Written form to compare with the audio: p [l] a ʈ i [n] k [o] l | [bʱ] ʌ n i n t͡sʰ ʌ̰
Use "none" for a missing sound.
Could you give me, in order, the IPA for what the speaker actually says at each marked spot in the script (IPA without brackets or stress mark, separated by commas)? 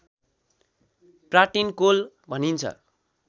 r, n, o, bʱ